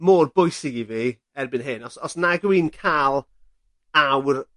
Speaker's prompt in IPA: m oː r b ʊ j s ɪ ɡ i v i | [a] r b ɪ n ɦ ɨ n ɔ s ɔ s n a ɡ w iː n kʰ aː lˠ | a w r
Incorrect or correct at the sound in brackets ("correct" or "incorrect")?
incorrect